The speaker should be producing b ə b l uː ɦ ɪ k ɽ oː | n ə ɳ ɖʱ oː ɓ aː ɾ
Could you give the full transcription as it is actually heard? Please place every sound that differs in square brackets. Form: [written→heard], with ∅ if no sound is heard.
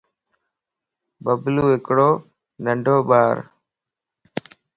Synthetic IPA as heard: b ə b l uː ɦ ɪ k ɽ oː | n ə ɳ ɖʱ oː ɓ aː ɾ